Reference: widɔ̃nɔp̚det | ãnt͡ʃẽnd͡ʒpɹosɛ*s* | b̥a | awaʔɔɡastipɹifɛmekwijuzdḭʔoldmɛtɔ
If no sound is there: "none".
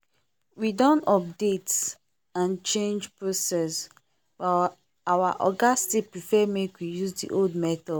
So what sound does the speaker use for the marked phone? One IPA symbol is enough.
s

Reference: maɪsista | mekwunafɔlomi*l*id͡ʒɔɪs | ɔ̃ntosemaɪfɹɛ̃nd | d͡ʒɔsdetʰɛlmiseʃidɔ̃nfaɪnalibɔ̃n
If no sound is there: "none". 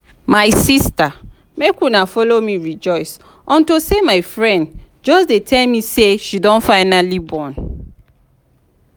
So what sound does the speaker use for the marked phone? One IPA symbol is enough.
ɹ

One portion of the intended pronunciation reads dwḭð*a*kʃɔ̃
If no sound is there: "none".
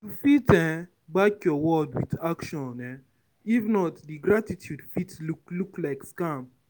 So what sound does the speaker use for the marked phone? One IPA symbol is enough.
a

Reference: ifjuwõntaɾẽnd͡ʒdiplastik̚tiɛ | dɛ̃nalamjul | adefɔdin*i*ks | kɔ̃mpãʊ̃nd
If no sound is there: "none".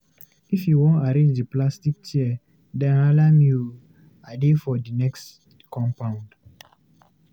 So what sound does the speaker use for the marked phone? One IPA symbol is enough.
ɛ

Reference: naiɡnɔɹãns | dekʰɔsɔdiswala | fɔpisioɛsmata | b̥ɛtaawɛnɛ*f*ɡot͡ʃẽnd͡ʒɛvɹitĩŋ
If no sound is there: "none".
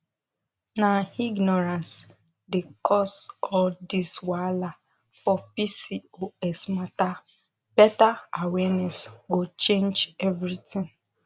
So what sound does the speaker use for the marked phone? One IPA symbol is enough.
s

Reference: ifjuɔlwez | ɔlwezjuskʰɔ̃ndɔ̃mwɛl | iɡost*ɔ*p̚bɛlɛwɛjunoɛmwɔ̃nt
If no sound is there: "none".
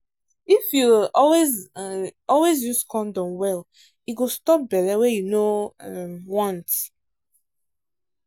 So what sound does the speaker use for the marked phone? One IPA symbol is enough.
ɔ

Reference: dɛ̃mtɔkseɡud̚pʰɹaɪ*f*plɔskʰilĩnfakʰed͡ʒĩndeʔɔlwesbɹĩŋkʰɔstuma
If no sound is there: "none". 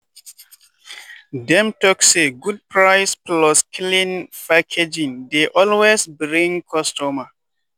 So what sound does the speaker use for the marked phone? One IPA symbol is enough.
s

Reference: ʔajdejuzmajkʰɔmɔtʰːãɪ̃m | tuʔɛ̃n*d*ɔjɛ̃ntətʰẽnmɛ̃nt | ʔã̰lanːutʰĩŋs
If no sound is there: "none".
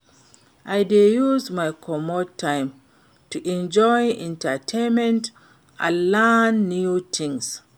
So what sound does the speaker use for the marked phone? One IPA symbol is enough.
d͡ʒ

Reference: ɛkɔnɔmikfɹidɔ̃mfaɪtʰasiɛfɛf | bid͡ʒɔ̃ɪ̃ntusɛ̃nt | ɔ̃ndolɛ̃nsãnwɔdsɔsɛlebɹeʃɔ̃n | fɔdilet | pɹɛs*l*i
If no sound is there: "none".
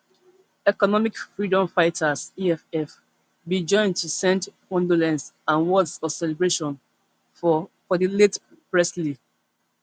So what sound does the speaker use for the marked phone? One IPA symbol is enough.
l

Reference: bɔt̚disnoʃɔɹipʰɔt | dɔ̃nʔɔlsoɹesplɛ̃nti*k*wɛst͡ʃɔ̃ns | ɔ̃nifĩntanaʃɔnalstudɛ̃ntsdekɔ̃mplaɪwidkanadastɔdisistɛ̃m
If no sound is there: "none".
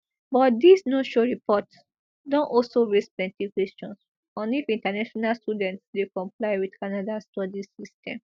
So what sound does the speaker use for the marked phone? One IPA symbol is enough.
k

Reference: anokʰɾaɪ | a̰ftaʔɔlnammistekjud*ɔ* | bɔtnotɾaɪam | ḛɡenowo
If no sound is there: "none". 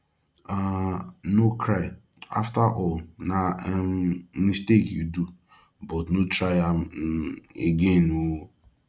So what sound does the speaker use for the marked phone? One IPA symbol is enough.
u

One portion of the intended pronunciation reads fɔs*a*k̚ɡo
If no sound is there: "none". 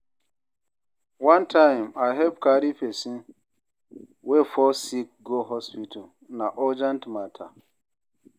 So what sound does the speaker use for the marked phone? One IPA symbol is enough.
i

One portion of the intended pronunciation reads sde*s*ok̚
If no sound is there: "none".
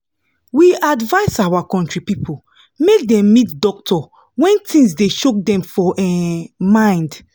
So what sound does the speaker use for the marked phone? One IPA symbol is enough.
ʃ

